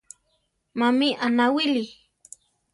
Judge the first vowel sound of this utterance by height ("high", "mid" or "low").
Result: low